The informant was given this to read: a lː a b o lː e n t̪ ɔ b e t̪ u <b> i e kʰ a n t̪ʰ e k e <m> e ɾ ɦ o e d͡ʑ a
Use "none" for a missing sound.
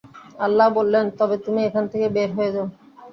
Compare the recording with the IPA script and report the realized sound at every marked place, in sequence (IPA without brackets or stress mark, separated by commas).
m, b